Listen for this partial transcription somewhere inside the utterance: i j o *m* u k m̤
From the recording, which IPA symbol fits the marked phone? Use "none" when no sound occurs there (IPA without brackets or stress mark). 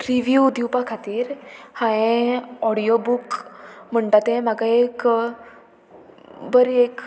b